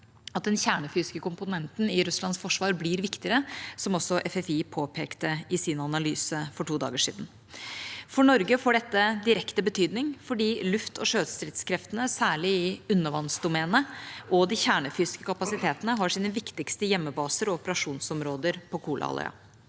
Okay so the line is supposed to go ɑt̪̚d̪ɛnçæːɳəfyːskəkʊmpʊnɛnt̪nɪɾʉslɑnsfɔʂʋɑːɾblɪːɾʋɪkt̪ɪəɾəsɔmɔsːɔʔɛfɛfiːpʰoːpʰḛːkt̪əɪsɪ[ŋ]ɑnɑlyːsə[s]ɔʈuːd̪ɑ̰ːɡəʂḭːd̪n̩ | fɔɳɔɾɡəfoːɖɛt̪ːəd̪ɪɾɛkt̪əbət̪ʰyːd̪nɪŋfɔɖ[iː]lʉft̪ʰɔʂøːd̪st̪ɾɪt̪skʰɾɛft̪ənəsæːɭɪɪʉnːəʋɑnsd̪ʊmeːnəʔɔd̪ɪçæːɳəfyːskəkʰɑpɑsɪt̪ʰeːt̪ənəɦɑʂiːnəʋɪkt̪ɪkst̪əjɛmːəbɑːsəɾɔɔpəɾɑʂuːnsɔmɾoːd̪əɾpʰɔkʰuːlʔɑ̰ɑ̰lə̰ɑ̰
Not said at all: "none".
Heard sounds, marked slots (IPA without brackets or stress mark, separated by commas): n, f, iː